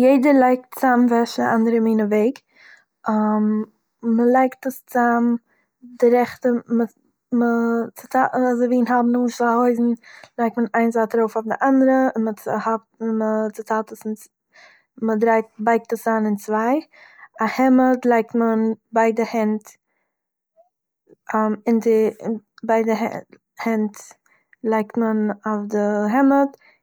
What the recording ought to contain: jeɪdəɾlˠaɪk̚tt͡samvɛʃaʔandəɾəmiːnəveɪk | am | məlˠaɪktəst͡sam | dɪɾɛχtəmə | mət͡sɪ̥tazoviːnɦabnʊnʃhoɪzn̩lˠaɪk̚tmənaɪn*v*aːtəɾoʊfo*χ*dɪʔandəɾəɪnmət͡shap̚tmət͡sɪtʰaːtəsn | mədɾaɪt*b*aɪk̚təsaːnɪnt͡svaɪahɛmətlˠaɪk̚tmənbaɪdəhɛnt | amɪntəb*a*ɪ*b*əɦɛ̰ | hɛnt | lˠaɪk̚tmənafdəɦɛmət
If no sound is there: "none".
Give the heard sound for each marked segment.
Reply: z, f, b, a, d

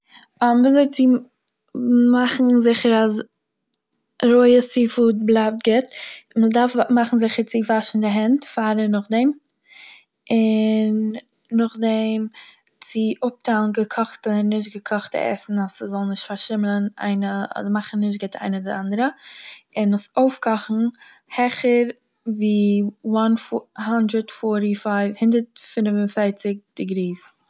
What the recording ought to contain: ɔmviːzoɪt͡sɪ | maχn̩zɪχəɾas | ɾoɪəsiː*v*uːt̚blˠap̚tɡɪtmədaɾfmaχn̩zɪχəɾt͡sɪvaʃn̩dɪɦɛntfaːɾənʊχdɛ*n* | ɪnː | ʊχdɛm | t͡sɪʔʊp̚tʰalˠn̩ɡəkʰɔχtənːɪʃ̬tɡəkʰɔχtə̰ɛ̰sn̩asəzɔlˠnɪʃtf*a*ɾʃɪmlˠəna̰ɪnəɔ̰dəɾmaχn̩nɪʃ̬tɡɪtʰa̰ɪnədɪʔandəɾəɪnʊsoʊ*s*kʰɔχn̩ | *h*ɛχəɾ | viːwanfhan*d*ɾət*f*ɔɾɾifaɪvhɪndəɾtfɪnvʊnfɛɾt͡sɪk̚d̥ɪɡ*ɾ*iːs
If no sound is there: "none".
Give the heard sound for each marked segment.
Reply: f, m, a, f, h, d, f, ɾ

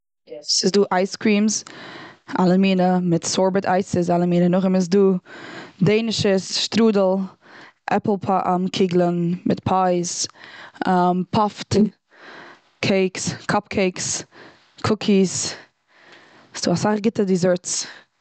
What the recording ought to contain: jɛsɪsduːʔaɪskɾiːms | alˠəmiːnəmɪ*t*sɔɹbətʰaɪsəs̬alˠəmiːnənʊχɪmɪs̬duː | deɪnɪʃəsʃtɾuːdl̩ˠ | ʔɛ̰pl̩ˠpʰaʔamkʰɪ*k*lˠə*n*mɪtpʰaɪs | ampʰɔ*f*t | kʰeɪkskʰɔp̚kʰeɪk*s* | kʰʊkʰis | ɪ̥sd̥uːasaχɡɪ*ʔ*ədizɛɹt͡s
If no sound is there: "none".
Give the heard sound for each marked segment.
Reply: t, ɡ, n, f, s, t

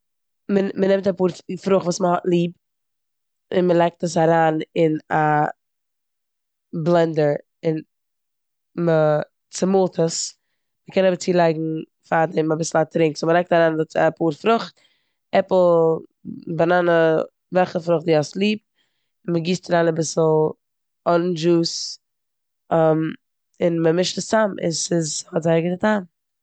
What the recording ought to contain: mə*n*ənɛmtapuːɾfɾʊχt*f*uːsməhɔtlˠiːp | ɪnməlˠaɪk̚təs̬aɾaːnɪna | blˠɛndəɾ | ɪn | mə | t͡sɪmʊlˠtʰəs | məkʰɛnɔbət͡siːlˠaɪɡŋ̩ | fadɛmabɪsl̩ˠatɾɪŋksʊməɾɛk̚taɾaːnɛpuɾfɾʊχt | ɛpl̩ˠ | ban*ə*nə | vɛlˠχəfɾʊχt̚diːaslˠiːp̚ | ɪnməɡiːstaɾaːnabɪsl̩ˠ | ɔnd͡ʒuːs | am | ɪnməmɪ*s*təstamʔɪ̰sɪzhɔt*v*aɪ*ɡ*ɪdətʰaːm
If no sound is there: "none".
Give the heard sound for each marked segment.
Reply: m, v, a, ʃ, z, ɡ

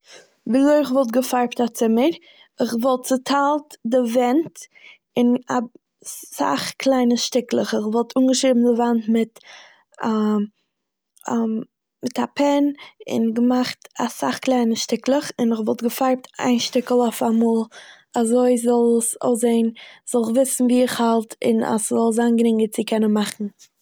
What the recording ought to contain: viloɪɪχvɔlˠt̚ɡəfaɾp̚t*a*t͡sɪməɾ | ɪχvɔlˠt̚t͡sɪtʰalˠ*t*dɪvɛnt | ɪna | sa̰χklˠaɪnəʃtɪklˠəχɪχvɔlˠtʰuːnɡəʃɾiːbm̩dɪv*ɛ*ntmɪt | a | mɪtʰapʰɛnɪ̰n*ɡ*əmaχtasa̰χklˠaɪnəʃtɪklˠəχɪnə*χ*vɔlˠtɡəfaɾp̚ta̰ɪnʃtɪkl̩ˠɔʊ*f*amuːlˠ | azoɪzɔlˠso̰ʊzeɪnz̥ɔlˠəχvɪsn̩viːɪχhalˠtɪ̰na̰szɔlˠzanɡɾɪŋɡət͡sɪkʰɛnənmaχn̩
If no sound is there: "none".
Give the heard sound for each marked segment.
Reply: a, t, a, ɡ, χ, f

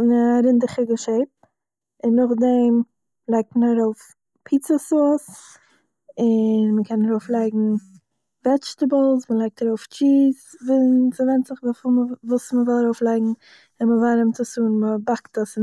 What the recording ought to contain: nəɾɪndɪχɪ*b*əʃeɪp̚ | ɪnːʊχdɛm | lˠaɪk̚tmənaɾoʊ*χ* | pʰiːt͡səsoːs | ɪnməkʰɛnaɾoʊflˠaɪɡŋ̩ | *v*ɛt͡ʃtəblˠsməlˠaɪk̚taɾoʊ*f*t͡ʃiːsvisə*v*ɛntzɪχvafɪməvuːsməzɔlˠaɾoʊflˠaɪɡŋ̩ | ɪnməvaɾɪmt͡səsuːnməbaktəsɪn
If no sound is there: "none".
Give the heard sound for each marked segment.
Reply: ɡ, f, v, f, v

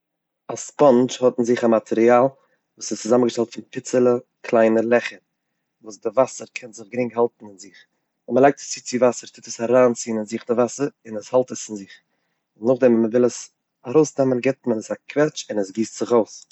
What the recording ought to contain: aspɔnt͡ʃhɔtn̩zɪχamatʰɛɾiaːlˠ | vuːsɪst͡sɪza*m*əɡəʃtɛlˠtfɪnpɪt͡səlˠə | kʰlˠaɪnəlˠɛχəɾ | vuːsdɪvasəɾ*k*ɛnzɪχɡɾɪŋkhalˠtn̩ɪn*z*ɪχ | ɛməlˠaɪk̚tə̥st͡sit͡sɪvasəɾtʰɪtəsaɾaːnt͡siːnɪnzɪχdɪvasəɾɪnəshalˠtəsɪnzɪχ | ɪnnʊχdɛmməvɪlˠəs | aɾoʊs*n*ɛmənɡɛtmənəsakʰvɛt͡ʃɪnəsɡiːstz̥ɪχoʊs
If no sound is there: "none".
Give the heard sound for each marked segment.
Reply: m, kʰ, z, d

